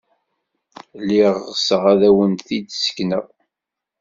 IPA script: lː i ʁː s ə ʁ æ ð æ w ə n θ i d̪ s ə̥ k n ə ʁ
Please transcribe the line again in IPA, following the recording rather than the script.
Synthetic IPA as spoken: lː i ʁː s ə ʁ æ ð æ w ə n θ i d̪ s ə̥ k n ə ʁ